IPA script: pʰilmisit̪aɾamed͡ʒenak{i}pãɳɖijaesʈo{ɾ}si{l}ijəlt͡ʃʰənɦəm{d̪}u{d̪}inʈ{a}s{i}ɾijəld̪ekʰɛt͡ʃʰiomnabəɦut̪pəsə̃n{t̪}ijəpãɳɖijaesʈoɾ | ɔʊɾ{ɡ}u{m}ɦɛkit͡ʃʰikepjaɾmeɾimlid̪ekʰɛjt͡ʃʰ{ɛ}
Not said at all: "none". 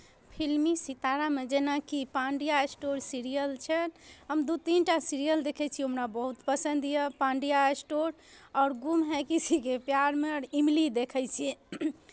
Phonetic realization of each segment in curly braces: i, ɾ, ɾ, d̪, t̪, a, i, d̪, ɡ, m, i

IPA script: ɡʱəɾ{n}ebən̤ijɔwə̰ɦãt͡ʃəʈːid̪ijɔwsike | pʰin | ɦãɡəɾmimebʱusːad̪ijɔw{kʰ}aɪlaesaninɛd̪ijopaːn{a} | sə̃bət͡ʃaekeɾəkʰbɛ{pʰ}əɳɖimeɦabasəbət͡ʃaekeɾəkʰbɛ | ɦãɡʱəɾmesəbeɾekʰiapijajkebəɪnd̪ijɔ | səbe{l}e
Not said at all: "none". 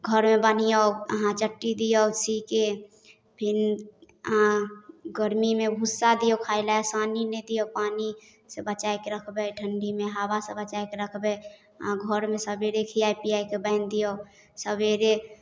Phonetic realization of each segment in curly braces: m, kʰ, i, ʈʰ, ɾ

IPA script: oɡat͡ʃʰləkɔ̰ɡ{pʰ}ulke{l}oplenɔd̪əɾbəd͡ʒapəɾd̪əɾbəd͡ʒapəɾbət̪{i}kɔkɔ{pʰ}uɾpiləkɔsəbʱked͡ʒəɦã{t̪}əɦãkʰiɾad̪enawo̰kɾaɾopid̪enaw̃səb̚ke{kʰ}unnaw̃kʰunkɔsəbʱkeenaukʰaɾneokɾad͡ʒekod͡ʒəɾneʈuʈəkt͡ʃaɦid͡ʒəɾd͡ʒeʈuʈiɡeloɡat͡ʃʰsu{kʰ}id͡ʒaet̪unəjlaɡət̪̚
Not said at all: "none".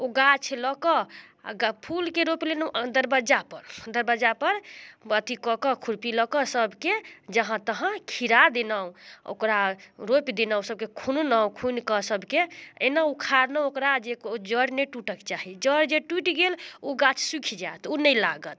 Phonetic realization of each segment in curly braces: pʰ, ɾ, i, kʰ, t̪, kʰ, kʰ

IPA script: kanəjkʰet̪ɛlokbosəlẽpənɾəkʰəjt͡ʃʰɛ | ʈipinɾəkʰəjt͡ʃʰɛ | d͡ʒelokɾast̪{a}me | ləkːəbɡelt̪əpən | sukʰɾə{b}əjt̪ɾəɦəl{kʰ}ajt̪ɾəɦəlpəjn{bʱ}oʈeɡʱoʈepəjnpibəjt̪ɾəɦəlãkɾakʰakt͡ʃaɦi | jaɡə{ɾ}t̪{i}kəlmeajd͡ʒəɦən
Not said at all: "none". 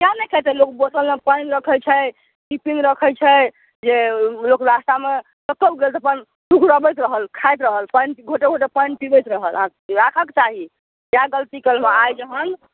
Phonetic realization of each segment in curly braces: a, b, kʰ, ɡʱ, l, i

